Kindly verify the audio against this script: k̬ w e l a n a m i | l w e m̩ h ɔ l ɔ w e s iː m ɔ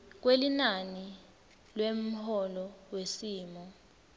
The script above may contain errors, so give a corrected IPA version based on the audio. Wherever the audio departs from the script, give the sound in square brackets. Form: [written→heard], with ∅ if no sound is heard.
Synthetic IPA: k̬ w e l [a→i] n a [m→n] i | l w e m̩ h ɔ l ɔ w e s iː m ɔ